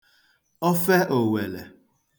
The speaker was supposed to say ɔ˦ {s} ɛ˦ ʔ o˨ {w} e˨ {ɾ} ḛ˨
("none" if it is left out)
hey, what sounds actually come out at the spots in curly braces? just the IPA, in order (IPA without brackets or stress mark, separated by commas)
f, w, l